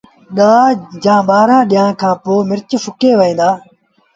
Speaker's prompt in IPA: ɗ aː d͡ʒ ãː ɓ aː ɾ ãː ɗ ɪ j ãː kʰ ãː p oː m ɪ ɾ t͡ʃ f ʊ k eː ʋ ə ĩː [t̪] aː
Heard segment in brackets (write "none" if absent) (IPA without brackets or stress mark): d̪